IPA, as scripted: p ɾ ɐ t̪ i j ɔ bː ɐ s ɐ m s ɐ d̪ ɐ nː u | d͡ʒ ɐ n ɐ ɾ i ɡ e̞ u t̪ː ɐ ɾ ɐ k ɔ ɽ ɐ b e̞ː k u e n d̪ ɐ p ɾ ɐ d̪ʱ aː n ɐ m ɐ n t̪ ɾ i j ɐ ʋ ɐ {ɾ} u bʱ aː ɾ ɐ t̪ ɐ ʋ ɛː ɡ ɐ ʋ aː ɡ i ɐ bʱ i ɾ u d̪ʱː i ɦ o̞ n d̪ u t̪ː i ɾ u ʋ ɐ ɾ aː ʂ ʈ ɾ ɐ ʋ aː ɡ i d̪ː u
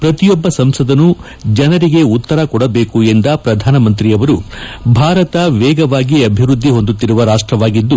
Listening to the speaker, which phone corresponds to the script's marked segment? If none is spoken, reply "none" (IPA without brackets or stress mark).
ɾ